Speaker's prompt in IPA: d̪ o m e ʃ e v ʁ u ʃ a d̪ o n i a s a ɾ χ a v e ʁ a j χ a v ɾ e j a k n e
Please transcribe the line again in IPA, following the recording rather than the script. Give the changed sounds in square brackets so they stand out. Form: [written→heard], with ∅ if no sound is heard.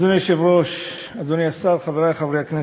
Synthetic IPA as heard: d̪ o [m→n] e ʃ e v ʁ [u→o] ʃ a d̪ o n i a s a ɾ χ a v e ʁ a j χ a v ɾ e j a k n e